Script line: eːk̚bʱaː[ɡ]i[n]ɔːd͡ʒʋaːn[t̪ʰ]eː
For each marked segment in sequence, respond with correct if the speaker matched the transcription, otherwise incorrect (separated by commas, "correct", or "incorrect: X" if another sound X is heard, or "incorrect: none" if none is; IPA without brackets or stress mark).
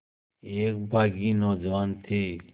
correct, correct, correct